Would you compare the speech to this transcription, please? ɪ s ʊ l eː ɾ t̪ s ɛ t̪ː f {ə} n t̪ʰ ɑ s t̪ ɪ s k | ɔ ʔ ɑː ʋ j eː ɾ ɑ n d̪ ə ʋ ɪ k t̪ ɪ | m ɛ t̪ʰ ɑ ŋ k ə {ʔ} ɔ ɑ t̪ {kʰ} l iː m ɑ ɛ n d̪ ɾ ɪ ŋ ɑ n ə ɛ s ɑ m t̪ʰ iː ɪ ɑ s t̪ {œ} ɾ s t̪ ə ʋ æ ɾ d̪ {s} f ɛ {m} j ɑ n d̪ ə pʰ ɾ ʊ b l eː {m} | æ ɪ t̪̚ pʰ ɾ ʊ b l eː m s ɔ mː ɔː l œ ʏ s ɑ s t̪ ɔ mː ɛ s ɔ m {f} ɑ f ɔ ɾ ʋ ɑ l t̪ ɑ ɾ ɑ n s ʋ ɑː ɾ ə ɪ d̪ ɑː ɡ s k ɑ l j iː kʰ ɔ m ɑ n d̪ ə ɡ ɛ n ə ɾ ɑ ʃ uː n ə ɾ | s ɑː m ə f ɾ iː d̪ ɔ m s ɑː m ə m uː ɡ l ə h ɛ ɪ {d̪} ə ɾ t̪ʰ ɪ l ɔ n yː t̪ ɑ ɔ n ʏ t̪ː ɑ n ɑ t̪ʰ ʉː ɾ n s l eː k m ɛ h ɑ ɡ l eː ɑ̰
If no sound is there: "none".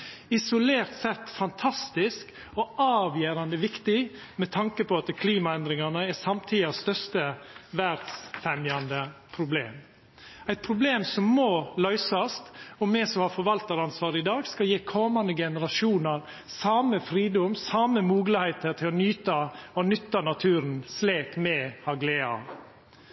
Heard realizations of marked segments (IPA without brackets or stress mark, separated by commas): ɑ, p, kʰ, œ, s, m, m, h, t̪